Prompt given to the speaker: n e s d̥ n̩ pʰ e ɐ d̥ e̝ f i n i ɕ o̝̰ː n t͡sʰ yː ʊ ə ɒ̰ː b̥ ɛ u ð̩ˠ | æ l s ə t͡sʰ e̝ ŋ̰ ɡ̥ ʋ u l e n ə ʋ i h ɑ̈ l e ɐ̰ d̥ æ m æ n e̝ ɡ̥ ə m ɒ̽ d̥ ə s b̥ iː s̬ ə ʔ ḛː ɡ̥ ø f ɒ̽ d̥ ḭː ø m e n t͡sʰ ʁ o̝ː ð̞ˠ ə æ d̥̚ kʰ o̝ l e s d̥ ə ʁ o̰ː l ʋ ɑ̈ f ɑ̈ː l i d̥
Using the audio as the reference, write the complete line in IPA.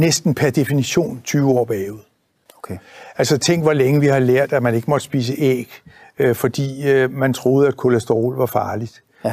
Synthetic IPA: n e s d̥ n̩ pʰ æ ɐ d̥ e̝ f i n i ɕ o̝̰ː n t͡sʰ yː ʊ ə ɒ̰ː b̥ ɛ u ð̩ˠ | æ l s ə t͡sʰ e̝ ŋ̰ ɡ̥ ʋ ɒ l e ŋ ə ʋ i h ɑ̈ l e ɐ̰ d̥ æ m æ n e̝ ɡ̥ ə m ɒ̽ d̥ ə s b̥ iː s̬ ə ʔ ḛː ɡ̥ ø f ɒ̽ d̥ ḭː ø m æ n t͡sʰ ʁ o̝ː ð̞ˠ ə æ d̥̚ kʰ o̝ l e s d̥ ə ʁ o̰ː l ʋ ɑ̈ f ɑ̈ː l i d̥